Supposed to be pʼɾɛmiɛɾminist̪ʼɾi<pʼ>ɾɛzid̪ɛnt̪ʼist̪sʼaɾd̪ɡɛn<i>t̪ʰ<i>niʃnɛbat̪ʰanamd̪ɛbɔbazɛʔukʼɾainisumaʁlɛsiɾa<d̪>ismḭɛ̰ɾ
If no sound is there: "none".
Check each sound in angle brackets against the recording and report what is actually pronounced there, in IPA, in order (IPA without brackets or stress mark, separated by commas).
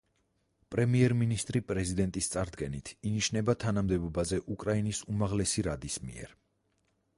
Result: pʼ, i, i, d̪